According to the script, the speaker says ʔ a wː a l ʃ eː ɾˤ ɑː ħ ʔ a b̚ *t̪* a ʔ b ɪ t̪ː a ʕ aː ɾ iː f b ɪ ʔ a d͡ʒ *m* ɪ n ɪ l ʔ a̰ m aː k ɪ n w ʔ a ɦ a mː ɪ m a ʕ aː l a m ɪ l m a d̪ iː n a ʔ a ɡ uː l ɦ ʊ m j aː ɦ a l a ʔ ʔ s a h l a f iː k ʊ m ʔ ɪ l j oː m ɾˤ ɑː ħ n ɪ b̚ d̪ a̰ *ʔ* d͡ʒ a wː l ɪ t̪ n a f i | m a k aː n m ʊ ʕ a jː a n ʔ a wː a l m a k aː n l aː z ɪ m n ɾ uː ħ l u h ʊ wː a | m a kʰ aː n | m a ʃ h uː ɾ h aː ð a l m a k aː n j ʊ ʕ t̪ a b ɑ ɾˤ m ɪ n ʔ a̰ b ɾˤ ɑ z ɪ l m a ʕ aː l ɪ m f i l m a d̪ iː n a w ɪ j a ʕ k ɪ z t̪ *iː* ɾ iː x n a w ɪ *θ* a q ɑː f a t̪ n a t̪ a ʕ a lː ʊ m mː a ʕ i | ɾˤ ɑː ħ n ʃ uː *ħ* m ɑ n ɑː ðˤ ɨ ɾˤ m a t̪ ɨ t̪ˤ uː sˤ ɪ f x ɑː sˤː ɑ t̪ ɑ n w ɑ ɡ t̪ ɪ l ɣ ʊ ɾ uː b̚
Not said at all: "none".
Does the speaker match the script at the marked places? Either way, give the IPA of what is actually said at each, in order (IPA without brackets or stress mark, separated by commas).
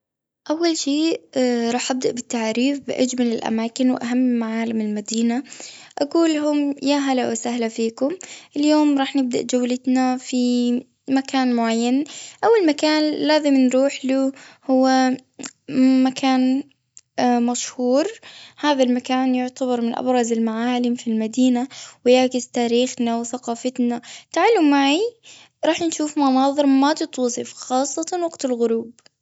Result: d̪, m, ʔ, aː, θ, f